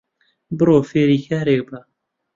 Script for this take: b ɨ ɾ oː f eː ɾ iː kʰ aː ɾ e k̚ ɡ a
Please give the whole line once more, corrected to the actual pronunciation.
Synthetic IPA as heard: b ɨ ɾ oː f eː ɾ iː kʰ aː ɾ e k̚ b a